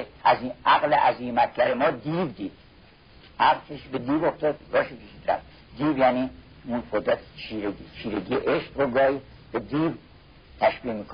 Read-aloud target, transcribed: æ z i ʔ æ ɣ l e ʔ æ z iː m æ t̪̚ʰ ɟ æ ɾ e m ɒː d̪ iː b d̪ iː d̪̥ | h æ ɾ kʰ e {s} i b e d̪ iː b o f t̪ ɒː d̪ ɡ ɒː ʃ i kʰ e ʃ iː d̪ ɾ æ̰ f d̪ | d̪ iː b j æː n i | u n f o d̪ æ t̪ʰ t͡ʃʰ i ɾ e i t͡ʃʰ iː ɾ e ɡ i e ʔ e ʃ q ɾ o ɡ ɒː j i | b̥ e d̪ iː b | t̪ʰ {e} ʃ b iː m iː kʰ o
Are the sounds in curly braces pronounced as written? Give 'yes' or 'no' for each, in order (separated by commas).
no, no